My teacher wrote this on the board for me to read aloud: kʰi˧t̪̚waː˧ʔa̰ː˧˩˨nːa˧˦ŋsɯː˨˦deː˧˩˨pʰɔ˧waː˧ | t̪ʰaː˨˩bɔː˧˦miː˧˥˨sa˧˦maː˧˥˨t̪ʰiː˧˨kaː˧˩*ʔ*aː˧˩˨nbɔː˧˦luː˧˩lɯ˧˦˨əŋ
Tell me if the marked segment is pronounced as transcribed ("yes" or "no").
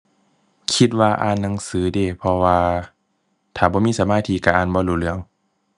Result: yes